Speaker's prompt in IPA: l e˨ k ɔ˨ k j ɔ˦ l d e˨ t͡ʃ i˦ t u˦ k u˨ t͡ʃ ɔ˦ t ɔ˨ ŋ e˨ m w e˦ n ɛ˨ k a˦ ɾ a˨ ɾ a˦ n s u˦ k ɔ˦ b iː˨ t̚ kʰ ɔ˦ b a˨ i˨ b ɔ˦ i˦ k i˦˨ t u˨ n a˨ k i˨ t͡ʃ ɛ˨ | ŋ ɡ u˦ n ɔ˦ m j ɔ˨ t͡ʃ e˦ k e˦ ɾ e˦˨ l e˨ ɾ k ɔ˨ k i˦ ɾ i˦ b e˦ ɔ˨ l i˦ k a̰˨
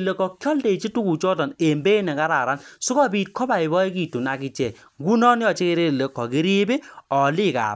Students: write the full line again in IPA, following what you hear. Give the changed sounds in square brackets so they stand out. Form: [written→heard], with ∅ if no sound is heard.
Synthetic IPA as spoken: l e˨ k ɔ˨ k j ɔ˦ l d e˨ t͡ʃ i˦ t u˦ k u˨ t͡ʃ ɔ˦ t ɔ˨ [ŋ→n] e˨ m [w→b] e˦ n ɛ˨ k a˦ ɾ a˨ ɾ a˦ n s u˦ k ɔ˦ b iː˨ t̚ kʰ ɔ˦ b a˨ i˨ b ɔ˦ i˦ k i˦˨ t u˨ n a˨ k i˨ t͡ʃ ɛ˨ | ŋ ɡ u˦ n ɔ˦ [m→n] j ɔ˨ t͡ʃ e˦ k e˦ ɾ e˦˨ l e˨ [ɾ→∅] k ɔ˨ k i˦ ɾ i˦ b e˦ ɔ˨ l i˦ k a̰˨